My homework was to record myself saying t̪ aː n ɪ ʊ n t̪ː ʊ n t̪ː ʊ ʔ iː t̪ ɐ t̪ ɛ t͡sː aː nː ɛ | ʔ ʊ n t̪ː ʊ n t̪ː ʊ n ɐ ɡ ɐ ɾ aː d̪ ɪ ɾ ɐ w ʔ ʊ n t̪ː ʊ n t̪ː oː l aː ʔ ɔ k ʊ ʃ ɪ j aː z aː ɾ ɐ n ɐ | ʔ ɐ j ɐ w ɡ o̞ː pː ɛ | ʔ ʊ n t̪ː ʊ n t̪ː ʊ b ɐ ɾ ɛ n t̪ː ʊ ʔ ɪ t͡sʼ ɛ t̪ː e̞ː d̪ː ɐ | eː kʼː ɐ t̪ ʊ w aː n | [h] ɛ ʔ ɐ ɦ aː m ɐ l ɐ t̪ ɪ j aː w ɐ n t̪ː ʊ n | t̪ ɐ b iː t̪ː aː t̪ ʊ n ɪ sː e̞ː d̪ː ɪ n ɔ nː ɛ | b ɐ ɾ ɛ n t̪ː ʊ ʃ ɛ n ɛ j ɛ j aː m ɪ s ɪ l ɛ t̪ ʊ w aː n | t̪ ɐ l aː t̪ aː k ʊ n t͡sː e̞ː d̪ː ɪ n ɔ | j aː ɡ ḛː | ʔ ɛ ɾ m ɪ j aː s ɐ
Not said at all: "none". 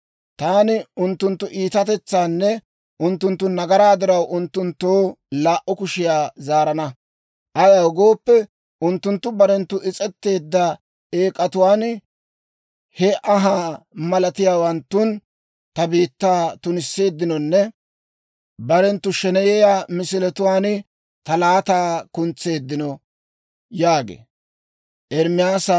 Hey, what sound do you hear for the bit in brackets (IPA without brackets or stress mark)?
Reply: h